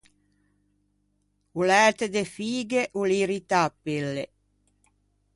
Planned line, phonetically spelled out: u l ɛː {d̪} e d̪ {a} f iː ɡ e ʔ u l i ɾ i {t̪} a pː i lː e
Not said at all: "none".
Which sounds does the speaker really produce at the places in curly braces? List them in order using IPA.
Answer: t̪, e, t̪

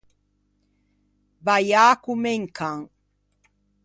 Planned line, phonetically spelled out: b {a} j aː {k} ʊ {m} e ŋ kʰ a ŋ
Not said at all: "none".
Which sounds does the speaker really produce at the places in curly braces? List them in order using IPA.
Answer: a, k, m

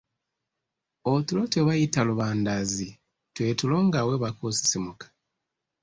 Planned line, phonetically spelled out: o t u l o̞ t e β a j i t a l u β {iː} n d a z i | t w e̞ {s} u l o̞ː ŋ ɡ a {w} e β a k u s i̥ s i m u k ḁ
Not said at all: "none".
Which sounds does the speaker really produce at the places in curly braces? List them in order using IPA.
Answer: aː, t, w

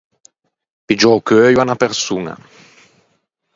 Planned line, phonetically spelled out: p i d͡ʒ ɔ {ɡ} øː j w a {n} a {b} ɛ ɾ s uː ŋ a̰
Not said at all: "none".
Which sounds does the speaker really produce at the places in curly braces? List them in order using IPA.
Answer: k, n, p

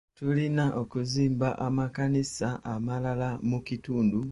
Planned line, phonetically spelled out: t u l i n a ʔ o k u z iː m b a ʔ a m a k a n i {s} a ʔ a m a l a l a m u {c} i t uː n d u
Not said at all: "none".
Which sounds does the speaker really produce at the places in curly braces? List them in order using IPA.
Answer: s, k

